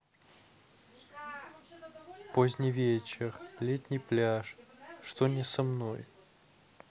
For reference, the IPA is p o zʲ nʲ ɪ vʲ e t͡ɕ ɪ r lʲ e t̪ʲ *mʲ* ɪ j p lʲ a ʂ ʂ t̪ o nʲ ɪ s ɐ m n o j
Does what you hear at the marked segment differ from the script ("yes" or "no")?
yes